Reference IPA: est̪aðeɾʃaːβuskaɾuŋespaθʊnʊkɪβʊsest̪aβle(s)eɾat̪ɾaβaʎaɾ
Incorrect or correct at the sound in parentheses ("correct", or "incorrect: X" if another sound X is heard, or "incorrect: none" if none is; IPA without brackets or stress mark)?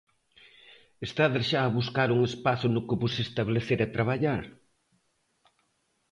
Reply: incorrect: θ